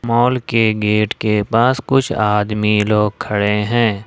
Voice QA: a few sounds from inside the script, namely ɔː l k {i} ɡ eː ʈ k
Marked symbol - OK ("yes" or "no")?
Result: no